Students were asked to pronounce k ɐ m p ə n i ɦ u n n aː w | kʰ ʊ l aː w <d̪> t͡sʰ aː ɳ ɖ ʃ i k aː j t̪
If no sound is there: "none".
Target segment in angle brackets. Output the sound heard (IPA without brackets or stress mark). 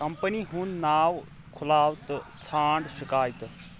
t̪